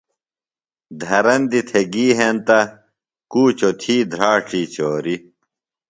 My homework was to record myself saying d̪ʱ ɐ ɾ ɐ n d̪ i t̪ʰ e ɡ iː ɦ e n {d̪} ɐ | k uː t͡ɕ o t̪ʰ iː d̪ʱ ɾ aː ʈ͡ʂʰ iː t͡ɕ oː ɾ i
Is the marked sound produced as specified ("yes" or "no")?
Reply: no